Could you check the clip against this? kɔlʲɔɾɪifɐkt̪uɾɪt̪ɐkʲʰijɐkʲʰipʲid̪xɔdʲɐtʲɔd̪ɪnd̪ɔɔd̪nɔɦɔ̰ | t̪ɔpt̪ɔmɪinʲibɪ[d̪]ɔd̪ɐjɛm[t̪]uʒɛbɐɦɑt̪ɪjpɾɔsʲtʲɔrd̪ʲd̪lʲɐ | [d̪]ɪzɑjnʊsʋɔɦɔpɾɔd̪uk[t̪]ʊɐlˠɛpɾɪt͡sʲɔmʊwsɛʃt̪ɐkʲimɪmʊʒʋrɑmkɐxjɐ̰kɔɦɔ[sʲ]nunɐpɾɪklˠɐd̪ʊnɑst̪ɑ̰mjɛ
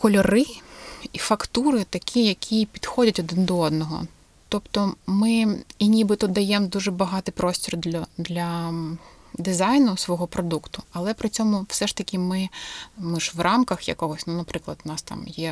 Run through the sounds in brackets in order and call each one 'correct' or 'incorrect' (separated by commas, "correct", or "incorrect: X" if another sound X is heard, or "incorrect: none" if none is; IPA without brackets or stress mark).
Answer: incorrect: t̪, incorrect: d̪, correct, correct, correct